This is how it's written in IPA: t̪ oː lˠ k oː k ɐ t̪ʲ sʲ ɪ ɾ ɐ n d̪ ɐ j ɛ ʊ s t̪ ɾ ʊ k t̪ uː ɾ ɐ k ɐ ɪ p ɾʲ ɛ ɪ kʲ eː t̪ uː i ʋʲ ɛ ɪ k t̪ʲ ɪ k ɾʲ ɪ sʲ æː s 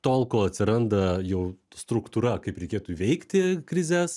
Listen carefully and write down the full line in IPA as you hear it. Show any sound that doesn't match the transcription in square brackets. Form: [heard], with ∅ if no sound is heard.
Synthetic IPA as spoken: t̪ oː lˠ k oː [∅] ɐ t̪ʲ sʲ ɪ ɾ ɐ n d̪ ɐ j ɛ ʊ s t̪ ɾ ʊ k t̪ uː ɾ ɐ k ɐ ɪ p ɾʲ ɛ ɪ kʲ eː t̪ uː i ʋʲ ɛ ɪ k t̪ʲ ɪ k ɾʲ ɪ [zʲ] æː s